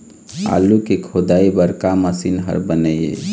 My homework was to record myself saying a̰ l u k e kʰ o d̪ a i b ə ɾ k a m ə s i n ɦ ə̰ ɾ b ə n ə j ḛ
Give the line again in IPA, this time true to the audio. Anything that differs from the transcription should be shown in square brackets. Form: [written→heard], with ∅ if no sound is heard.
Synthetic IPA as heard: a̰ l u k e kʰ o d̪ a i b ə ɾ k a m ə s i n ɦ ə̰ ɾ b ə n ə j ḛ